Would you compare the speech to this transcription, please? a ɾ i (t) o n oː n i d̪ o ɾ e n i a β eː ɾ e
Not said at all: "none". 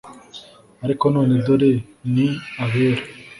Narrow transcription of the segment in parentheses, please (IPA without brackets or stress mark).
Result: k